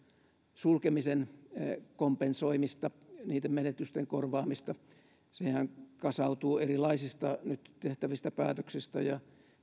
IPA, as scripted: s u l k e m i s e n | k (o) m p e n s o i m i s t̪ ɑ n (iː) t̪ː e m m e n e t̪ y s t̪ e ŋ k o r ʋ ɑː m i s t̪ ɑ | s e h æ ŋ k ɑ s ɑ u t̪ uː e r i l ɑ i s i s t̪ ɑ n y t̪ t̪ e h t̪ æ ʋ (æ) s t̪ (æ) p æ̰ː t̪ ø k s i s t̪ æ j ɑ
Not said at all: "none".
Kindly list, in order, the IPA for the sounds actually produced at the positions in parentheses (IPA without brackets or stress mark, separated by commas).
o, iː, i, æ